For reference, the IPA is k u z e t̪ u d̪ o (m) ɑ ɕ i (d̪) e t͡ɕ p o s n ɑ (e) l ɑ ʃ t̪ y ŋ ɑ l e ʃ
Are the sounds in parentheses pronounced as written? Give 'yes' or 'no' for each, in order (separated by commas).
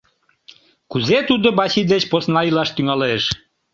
no, yes, no